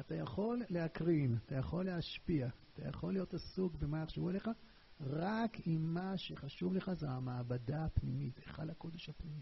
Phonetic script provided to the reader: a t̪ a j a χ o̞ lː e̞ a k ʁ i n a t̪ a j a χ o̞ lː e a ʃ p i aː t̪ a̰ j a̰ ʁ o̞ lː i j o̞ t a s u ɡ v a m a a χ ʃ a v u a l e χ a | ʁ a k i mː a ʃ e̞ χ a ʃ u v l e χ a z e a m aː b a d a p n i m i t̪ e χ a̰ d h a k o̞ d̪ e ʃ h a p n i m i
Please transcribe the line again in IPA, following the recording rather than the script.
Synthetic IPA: a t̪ a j a χ o̞ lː e̞ a k ʁ i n a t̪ a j a χ o̞ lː e a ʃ p i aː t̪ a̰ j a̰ χ o̞ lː i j o̞ t a s u ɡ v e m a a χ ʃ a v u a l e χ a | ʁ a k i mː a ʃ e̞ χ a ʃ u v l e χ a z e a m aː b a d a p n i m i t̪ e χ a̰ d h a k o̞ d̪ e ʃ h a p n i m i